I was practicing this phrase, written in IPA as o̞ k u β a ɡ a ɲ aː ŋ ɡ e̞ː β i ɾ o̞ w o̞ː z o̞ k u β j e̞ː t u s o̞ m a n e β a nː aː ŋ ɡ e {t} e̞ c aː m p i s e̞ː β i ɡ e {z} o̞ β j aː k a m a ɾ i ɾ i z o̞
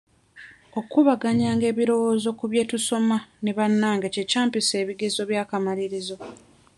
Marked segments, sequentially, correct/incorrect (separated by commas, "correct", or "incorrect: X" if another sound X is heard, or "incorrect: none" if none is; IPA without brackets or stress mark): incorrect: c, correct